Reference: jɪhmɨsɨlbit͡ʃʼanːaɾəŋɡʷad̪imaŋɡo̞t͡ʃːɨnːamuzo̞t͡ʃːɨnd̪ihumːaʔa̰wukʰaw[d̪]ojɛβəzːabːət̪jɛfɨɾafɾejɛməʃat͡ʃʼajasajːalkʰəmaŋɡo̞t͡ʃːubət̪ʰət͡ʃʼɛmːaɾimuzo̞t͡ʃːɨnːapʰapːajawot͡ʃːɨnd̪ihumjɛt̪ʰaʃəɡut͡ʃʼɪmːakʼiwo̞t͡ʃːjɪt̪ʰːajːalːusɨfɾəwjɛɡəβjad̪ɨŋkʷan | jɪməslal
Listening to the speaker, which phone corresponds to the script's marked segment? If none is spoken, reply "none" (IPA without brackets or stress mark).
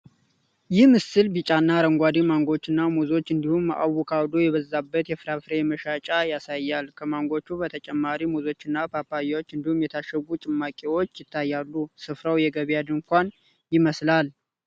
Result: d̪